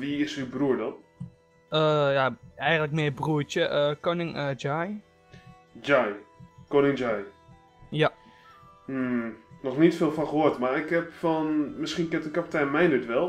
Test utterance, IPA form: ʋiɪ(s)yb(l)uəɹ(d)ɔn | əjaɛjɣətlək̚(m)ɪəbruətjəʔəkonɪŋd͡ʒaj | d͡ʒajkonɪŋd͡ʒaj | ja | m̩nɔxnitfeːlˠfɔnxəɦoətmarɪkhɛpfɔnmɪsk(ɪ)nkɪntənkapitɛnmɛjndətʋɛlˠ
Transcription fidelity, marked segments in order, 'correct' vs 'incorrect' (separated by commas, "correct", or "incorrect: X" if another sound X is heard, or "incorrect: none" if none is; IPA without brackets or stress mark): correct, incorrect: r, correct, correct, incorrect: i